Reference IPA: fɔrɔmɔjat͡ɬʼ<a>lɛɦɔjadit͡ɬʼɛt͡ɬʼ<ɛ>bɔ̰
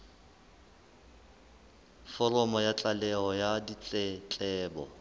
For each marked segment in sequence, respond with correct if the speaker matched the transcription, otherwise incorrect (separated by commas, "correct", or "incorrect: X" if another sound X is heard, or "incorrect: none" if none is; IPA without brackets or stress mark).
correct, incorrect: ɛː